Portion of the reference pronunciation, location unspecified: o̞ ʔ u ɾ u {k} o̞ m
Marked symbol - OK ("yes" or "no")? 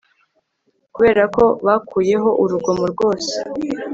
no